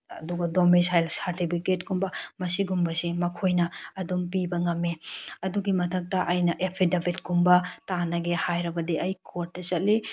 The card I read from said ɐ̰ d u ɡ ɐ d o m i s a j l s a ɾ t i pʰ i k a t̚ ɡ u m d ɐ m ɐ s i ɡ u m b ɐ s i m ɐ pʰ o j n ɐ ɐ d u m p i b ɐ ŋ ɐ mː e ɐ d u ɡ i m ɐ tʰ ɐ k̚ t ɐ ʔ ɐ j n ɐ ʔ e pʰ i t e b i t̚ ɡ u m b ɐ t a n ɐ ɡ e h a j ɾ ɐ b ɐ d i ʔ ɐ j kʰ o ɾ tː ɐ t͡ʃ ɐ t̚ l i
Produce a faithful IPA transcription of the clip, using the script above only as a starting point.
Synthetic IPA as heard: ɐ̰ d u ɡ ɐ d o m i s a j l s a ɾ t i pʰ i k e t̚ ɡ u m b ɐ m ɐ s i ɡ u m b ɐ s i m ɐ kʰ o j n ɐ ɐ d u m p i b ɐ ŋ ɐ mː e ɐ d u ɡ i m ɐ tʰ ɐ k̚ t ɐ ʔ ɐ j n ɐ ʔ e pʰ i d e b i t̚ ɡ u m b ɐ t a n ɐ ɡ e h a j ɾ ɐ b ɐ d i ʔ ɐ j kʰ o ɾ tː ɐ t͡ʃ ɐ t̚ l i